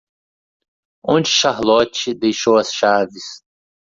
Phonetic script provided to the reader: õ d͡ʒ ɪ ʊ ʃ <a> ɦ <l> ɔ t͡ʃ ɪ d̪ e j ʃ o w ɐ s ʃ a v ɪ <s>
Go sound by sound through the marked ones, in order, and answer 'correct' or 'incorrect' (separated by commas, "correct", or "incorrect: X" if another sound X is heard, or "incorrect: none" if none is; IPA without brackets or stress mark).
correct, correct, correct